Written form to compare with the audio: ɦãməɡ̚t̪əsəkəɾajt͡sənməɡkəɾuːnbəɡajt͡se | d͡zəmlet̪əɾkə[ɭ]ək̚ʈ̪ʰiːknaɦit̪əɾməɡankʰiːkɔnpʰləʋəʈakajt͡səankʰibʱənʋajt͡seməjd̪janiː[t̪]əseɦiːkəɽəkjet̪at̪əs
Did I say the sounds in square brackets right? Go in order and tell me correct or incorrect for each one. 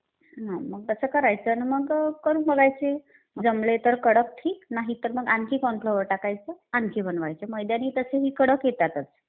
incorrect, correct

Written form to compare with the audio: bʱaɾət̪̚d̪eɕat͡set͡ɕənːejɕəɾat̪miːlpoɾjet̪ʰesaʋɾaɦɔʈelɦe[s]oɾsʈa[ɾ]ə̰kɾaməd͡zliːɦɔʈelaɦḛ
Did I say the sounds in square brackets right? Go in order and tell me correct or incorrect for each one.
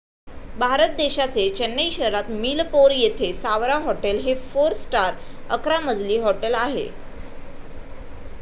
incorrect, correct

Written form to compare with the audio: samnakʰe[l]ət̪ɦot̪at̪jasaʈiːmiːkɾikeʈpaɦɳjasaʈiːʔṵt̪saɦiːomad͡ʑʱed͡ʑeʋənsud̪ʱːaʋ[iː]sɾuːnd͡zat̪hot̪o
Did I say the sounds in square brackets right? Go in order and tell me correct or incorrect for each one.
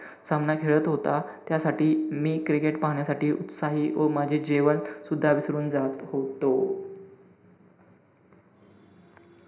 incorrect, incorrect

